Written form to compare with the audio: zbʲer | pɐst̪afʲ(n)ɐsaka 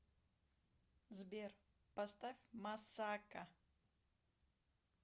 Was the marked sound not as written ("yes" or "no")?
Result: yes